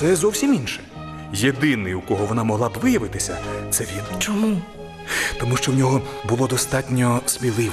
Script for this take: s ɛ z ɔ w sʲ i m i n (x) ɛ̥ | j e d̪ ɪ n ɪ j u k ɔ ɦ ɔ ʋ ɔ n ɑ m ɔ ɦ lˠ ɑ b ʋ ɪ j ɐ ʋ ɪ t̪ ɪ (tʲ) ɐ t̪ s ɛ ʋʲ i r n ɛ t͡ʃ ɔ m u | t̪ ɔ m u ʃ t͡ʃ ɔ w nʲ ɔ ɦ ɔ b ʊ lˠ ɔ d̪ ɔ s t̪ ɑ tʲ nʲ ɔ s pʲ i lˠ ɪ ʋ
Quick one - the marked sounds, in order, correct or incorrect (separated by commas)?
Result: incorrect, incorrect